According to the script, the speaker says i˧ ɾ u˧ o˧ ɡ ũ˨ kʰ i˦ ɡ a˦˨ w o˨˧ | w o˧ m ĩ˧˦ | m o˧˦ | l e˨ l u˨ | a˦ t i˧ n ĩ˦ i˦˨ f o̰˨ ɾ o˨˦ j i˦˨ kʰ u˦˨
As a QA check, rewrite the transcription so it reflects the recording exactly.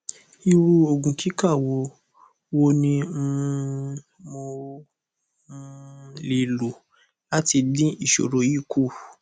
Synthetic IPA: i˧ ɾ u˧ o˧ ɡ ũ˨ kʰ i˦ k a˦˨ w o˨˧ | w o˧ n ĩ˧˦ | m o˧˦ | l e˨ l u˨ | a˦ t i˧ d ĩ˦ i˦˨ ʃ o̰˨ ɾ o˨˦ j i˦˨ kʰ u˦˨

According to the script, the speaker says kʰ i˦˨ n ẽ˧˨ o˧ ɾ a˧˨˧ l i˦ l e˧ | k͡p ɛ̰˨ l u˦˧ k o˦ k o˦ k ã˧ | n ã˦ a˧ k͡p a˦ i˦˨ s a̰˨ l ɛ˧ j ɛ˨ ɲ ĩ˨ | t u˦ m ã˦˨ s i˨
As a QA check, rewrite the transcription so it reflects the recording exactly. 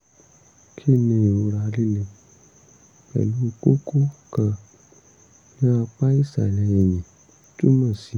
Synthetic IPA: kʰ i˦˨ n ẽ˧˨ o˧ ɾ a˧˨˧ l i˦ l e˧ | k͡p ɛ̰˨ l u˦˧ k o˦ k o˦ k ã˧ | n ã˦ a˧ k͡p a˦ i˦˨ s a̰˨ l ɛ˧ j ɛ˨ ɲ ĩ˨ | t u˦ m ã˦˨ s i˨

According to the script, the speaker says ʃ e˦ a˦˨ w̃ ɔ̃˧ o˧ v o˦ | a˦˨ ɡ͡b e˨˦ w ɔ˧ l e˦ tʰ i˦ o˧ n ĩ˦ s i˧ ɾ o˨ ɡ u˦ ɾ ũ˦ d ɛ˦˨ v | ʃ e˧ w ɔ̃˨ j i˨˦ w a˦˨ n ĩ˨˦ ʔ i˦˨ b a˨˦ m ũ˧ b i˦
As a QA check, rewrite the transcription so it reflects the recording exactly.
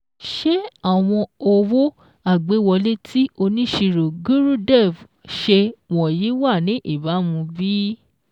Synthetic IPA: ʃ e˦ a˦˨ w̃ ɔ̃˧ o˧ w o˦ | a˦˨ ɡ͡b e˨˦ w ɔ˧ l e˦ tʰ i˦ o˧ n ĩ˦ ʃ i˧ ɾ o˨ ɡ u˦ ɾ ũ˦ d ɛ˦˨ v | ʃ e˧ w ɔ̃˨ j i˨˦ w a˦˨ n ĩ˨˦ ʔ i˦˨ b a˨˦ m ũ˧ b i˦

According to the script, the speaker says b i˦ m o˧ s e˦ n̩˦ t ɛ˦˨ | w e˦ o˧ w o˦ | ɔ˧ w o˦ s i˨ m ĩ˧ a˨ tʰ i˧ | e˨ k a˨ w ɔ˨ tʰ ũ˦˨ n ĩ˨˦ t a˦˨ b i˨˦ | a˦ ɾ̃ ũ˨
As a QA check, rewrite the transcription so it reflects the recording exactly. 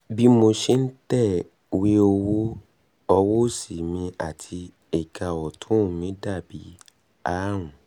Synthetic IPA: b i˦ m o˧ ʃ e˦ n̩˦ t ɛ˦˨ | w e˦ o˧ w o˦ | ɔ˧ w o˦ s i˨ m ĩ˧ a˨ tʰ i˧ | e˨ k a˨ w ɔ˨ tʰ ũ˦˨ m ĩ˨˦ d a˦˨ b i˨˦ | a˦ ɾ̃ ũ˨

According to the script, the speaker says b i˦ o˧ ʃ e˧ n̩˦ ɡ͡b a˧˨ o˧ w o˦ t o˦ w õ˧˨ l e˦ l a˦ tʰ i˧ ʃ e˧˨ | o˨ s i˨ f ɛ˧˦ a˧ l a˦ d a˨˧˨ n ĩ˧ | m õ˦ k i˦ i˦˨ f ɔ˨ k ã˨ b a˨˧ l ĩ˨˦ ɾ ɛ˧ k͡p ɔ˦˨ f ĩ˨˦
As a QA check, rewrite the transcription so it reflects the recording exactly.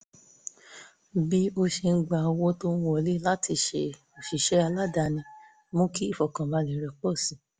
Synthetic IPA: b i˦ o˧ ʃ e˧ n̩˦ ɡ͡b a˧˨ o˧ w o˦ t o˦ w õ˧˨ l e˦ l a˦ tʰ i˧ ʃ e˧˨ | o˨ ʃ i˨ ʃ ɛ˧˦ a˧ l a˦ d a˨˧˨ n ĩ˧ | m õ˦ k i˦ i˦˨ f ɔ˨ k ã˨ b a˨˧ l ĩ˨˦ ɾ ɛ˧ k͡p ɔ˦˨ s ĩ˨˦

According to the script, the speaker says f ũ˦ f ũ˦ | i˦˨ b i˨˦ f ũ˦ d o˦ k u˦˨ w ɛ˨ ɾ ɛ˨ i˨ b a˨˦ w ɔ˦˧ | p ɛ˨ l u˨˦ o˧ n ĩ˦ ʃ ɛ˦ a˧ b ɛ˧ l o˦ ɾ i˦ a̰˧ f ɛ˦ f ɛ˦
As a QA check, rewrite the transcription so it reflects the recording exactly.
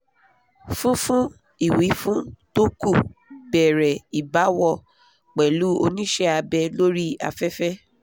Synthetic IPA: f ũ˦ f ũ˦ | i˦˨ w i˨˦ f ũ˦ t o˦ k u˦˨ b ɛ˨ ɾ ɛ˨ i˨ b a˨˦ w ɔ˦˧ | k͡p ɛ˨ l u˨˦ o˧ n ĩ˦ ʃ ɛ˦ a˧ b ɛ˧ l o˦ ɾ i˦ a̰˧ f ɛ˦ f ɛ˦

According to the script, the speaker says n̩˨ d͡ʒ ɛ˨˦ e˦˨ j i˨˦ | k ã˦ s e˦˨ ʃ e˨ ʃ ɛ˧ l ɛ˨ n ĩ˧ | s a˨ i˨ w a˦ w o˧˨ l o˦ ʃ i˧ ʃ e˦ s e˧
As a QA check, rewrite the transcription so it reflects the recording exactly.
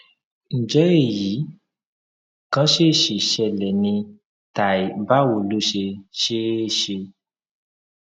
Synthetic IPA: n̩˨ d͡ʒ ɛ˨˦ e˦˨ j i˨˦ | k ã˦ ʃ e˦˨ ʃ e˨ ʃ ɛ˧ l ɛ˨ n ĩ˧ | t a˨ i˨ b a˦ w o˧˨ l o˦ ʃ e˧ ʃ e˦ ʃ e˧

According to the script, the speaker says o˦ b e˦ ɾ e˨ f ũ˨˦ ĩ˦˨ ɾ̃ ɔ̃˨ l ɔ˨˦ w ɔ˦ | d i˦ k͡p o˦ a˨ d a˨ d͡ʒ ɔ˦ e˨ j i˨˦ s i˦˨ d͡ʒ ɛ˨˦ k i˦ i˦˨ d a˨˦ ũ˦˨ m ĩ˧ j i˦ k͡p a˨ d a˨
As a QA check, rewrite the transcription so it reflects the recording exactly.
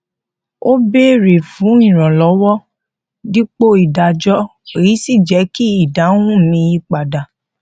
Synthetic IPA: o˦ b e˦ ɾ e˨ f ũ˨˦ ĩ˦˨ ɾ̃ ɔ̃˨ l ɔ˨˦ w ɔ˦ | d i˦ k͡p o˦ i˨ d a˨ d͡ʒ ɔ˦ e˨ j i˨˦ s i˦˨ d͡ʒ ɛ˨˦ k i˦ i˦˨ d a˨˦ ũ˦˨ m ĩ˧ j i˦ k͡p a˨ d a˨

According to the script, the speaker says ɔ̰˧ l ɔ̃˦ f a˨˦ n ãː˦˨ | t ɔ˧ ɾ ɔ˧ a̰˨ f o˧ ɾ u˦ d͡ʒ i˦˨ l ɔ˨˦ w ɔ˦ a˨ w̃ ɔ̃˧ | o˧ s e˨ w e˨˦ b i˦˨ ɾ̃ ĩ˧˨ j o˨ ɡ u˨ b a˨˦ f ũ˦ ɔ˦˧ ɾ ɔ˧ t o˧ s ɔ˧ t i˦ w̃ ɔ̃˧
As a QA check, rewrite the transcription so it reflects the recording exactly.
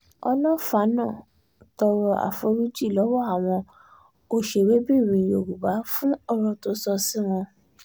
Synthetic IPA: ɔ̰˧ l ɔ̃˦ f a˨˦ n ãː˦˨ | t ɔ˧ ɾ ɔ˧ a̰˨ f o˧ ɾ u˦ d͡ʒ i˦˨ l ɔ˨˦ w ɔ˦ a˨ w̃ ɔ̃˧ | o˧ ʃ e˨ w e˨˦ b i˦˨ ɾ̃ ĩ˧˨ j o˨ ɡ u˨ b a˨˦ f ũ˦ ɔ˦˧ ɾ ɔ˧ t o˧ s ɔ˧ s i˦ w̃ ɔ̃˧

